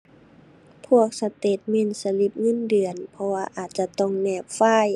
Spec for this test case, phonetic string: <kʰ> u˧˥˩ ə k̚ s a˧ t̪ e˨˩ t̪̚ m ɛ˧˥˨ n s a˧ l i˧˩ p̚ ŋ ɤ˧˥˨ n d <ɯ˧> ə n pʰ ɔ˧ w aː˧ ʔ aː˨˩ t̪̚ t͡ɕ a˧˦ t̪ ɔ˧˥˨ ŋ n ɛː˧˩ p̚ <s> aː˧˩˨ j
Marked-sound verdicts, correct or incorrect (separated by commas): incorrect, incorrect, incorrect